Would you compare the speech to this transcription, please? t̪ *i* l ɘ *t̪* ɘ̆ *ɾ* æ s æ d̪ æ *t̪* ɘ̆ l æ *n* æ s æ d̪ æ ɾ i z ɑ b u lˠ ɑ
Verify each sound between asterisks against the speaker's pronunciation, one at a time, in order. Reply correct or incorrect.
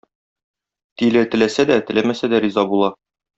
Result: correct, correct, incorrect, correct, incorrect

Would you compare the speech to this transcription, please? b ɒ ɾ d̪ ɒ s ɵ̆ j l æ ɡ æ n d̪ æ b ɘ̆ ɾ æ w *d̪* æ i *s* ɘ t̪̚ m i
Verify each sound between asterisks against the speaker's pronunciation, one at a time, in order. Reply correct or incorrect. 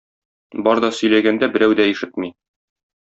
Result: correct, incorrect

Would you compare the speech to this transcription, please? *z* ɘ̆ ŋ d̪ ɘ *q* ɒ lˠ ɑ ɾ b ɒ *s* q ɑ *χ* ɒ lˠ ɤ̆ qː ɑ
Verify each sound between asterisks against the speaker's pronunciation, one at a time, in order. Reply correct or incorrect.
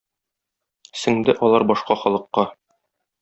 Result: incorrect, incorrect, incorrect, correct

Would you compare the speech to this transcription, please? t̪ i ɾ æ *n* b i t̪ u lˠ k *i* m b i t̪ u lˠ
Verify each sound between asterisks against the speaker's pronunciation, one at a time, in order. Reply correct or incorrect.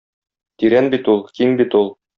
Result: correct, correct

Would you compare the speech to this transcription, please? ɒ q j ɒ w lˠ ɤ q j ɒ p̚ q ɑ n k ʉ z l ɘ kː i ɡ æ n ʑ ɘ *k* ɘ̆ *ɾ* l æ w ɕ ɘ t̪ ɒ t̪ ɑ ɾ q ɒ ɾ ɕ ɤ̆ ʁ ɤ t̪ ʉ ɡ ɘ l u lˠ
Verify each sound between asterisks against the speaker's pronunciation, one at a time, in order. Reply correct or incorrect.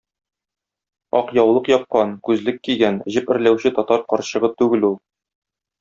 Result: incorrect, correct

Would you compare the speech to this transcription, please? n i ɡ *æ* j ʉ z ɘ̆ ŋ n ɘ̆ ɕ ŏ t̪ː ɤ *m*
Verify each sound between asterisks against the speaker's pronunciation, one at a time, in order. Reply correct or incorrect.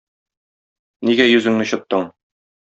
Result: correct, incorrect

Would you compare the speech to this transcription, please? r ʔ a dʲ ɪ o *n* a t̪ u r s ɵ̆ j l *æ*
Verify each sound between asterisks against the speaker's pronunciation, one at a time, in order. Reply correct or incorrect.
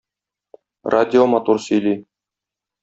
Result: incorrect, incorrect

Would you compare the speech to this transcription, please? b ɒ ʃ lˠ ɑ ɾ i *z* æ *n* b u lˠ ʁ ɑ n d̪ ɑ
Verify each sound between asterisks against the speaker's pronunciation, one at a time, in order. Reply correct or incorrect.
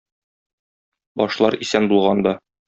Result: incorrect, correct

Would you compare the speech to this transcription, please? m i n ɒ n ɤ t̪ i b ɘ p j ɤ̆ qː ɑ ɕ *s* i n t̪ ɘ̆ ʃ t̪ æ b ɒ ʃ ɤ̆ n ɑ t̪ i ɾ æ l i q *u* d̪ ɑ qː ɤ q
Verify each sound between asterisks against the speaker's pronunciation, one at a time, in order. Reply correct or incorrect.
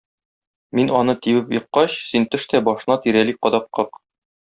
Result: correct, incorrect

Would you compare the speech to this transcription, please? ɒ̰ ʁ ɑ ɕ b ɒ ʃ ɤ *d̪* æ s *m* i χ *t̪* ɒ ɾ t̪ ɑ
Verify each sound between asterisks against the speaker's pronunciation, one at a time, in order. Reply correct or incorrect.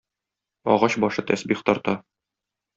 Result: incorrect, incorrect, correct

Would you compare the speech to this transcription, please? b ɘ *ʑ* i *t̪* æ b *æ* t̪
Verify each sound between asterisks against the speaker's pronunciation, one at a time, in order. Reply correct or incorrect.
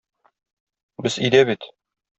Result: incorrect, incorrect, incorrect

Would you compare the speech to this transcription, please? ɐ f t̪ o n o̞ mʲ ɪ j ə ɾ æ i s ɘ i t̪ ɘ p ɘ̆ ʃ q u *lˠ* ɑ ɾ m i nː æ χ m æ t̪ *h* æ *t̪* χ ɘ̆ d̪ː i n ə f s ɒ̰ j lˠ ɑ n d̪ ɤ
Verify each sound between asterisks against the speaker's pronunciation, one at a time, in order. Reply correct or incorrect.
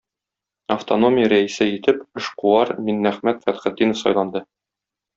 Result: incorrect, incorrect, correct

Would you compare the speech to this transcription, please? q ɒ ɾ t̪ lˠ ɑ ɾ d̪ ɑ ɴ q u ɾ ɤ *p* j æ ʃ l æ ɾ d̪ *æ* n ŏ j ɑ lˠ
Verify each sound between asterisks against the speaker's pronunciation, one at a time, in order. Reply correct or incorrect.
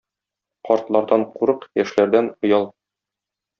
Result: incorrect, correct

